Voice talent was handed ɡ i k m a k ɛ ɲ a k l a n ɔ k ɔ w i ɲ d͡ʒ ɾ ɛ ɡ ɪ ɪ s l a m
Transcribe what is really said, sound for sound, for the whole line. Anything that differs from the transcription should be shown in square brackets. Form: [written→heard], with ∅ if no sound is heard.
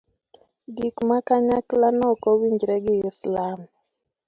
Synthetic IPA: ɡ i k m a k [ɛ→a] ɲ a k l a n ɔ k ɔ w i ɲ d͡ʒ ɾ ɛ ɡ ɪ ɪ s l a m